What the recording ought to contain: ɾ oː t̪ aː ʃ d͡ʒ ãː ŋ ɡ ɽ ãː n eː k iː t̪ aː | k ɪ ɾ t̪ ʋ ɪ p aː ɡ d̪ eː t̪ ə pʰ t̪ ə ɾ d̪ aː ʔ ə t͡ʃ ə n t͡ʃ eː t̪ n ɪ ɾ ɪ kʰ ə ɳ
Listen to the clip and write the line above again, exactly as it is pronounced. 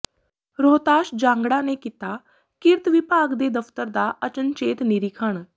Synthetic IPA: ɾ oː t̪ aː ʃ d͡ʒ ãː ŋ ɡ ɽ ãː n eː k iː t̪ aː | k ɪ ɾ t̪ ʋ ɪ p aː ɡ d̪ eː d̪ ə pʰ t̪ ə ɾ d̪ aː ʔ ə t͡ʃ ə n t͡ʃ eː t̪ n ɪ ɾ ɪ kʰ ə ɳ